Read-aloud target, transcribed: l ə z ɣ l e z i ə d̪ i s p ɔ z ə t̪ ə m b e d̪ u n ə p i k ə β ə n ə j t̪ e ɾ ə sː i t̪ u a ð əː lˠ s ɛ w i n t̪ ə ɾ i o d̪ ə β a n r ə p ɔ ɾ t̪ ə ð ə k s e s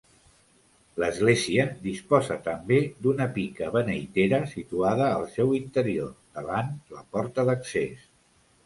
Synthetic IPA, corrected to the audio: l ə z ɣ l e z i ə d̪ i s p ɔ z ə t̪ ə m b e d̪ u n ə p i k ə β ə n ə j t̪ e ɾ ə s i t̪ u a ð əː lˠ s ɛ w i n t̪ ə ɾ i o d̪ ə β a n l ə p ɔ ɾ t̪ ə ð ə k s e s